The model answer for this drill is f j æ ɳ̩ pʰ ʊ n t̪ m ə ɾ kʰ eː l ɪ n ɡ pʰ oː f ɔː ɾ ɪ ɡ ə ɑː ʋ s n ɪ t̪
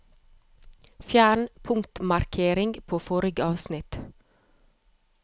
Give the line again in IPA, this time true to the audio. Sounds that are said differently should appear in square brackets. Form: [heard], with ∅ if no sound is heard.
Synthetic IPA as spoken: f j [æː] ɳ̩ pʰ ʊ [ŋ] t̪ m [ɑ] ɾ kʰ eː [ɾ] ɪ [ŋ] ɡ pʰ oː f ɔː ɾ ɪ ɡ ə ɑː ʋ s n ɪ t̪